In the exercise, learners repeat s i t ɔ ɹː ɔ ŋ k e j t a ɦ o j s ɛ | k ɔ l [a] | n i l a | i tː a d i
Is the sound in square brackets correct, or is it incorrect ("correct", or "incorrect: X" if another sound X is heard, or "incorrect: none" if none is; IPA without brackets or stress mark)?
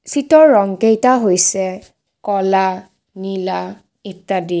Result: correct